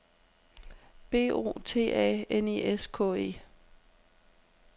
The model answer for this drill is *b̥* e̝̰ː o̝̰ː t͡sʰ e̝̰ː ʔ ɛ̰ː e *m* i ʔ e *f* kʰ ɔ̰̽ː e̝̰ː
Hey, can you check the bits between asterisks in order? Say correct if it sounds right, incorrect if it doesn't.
correct, incorrect: n, incorrect: s

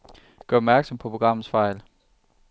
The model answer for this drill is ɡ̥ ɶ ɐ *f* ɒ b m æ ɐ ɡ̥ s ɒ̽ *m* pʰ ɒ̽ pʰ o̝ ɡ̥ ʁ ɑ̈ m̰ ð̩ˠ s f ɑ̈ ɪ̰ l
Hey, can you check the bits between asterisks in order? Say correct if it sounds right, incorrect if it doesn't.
incorrect: none, correct

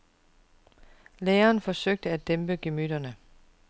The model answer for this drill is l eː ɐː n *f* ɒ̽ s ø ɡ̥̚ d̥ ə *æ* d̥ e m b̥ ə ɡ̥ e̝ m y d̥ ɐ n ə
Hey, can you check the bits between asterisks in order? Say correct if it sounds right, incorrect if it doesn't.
correct, correct

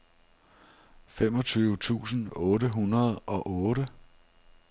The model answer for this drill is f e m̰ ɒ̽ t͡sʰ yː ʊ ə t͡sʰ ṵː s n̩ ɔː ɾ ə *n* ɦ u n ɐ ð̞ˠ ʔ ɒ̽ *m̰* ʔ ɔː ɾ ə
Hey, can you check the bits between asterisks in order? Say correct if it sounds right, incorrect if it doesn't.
incorrect: none, incorrect: none

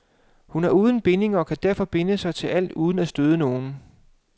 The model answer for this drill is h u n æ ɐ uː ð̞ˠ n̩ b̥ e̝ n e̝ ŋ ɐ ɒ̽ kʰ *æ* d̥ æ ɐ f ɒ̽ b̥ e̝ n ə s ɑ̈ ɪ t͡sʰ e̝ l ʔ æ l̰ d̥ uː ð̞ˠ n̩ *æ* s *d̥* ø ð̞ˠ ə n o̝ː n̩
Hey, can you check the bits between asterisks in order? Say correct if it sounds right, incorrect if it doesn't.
correct, correct, correct

